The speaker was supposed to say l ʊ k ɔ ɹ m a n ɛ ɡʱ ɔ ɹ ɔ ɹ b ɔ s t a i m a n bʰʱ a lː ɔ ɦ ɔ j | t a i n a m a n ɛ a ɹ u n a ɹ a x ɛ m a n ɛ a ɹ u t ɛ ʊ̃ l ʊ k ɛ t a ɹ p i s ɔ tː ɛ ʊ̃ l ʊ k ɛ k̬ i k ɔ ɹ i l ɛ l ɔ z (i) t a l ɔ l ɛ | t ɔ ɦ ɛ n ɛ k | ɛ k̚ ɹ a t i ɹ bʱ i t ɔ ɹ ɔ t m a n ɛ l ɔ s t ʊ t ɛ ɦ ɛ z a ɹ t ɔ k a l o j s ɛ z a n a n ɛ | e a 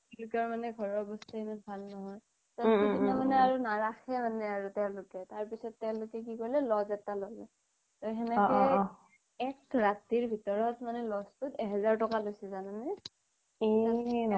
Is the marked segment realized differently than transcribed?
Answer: yes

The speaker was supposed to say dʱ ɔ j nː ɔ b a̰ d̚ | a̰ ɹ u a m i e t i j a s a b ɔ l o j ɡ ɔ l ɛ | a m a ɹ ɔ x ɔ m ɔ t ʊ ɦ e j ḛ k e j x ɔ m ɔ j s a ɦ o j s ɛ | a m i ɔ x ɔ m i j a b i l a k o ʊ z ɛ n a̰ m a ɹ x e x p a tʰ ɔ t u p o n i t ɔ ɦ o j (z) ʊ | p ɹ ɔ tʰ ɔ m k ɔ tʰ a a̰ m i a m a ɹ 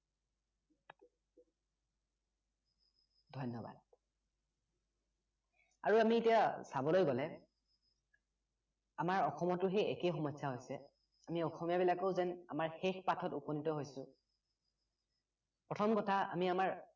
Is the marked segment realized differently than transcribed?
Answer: yes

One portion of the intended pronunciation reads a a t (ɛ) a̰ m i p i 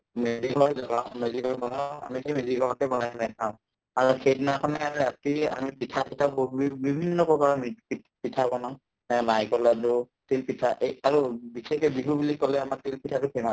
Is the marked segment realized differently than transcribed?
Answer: yes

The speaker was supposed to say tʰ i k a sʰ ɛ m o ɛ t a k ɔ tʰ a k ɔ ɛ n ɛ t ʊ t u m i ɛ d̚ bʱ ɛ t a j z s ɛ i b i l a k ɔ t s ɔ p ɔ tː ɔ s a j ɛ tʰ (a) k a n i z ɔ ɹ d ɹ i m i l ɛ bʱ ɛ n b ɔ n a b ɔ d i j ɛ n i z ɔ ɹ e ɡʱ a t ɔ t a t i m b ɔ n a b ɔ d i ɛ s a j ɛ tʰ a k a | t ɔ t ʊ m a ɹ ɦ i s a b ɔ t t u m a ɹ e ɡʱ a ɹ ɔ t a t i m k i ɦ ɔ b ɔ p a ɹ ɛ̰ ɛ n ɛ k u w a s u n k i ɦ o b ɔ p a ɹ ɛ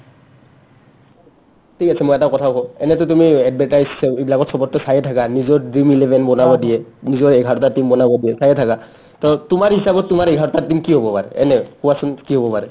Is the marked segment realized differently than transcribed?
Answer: no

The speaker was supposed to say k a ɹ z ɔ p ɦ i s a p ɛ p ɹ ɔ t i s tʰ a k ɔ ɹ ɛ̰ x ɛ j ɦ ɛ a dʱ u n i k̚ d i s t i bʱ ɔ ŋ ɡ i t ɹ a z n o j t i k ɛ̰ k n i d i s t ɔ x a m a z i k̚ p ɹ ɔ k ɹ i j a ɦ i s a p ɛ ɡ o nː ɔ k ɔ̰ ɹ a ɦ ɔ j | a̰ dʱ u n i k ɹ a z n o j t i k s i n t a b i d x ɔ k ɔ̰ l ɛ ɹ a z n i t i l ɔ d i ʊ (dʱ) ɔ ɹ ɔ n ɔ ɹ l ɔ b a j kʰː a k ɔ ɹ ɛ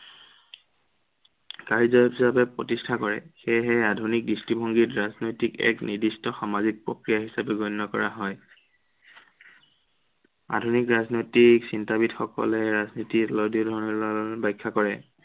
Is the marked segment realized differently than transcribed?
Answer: no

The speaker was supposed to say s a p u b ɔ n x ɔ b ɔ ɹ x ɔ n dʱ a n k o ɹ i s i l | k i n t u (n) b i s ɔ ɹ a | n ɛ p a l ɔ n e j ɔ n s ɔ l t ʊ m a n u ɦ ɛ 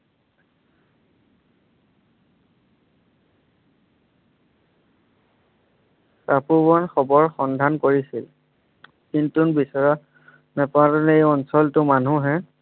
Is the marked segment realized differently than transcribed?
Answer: no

